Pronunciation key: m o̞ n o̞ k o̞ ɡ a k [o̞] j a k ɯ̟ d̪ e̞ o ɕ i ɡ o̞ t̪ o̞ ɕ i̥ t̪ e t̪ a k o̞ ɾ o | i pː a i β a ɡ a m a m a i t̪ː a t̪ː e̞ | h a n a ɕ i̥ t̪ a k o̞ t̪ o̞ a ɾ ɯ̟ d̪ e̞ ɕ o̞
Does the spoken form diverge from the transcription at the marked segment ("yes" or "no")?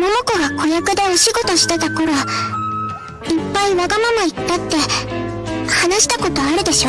no